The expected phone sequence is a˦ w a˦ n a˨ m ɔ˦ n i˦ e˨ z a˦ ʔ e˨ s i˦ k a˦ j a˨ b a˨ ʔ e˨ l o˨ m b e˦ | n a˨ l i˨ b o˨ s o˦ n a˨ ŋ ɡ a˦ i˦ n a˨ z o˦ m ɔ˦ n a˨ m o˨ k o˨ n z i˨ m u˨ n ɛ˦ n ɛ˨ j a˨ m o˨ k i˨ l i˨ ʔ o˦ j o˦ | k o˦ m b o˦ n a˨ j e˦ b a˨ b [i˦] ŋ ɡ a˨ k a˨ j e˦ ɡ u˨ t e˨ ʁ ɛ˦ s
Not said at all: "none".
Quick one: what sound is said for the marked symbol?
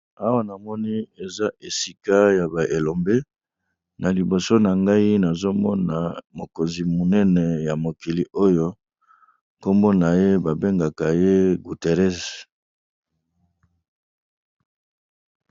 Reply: e˦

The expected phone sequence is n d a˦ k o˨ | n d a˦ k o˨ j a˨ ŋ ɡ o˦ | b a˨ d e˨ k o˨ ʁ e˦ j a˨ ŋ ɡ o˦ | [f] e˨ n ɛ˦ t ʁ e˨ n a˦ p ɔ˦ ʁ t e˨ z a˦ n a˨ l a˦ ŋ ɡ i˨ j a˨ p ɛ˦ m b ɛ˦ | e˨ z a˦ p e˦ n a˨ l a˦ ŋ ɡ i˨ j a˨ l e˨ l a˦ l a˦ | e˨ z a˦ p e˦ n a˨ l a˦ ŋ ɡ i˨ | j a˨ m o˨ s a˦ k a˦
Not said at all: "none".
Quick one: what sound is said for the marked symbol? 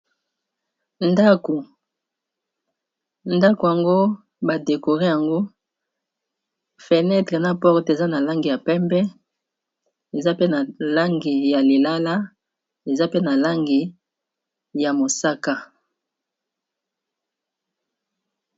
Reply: f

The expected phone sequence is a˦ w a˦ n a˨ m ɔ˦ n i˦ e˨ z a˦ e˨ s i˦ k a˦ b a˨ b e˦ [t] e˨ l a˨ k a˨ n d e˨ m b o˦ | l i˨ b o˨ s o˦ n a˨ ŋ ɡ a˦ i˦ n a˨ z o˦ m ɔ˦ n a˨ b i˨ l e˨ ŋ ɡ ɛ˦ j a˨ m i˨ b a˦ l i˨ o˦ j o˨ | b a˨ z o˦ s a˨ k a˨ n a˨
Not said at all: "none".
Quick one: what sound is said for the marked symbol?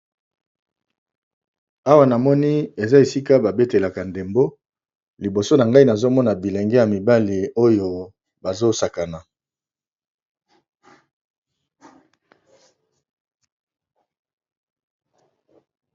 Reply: t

